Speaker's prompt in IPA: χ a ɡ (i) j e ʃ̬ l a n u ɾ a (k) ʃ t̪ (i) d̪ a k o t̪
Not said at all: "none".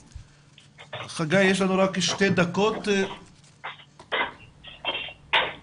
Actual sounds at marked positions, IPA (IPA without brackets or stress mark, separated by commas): a, k, e